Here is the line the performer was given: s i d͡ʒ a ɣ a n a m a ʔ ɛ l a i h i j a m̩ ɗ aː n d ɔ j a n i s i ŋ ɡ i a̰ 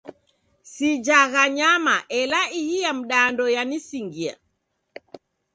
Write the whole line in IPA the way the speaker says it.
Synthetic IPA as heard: s i d͡ʒ a ɣ a ɲ a m a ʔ ɛ l a i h i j a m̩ ɗ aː n d ɔ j a n i s i ŋ ɡ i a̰